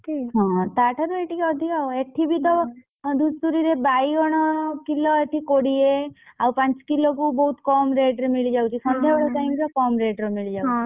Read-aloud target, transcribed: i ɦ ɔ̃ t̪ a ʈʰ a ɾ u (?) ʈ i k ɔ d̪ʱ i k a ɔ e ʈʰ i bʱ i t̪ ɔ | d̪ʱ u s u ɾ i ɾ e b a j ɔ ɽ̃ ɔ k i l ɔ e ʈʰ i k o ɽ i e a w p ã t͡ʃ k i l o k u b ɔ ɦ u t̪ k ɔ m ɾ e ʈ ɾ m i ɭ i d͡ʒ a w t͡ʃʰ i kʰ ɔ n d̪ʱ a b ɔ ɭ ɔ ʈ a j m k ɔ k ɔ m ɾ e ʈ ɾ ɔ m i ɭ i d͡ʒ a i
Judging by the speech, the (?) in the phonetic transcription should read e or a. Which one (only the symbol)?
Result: e